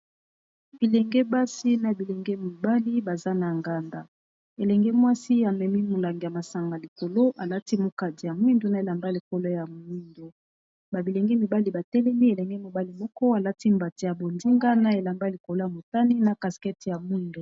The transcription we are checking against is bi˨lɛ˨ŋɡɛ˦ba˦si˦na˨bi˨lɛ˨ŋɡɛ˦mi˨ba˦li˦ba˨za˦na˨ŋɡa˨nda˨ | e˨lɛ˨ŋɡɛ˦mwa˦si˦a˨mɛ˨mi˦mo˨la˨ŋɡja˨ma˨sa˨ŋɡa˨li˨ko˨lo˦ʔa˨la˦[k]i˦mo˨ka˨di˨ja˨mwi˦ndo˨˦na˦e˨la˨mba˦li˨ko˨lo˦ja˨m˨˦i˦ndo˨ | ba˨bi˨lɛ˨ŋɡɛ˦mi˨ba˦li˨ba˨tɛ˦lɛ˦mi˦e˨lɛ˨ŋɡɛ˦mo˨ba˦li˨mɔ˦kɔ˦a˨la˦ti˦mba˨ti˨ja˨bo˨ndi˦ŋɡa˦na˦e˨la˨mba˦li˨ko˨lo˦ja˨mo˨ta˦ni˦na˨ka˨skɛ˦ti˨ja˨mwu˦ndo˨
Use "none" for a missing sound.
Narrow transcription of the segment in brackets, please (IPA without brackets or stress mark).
t